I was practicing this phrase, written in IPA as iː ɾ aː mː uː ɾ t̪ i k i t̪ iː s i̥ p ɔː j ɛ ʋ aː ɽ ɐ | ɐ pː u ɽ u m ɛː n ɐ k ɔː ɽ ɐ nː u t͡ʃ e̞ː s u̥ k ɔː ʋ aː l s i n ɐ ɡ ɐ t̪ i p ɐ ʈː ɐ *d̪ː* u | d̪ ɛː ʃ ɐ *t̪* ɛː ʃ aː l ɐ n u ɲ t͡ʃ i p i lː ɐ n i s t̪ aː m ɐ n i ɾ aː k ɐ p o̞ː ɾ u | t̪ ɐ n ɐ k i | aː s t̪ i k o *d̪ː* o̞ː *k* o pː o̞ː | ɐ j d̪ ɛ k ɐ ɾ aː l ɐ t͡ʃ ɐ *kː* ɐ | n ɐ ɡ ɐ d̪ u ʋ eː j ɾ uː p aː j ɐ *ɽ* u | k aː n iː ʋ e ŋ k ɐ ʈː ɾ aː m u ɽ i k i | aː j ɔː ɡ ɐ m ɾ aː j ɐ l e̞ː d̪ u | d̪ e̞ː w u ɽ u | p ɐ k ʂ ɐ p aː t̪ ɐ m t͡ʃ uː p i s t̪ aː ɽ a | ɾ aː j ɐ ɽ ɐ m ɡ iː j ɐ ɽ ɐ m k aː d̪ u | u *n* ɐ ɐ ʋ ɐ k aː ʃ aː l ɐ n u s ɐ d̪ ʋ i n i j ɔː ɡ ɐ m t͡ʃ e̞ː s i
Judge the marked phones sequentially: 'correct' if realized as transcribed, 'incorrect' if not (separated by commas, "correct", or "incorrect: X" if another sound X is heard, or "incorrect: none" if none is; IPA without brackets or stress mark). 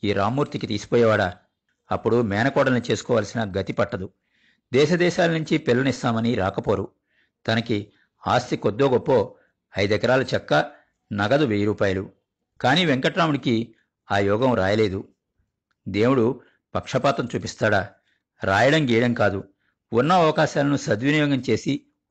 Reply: incorrect: d̪, incorrect: d̪, correct, incorrect: ɡ, correct, incorrect: l, incorrect: nː